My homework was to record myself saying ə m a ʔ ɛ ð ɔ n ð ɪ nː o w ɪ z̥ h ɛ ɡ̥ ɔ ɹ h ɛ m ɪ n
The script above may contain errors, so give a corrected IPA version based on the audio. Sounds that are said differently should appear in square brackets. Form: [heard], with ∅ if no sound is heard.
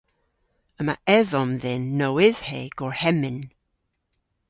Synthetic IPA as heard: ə m a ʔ ɛ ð ɔ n ð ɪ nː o w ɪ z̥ h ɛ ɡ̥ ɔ ɹ h ɛ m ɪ n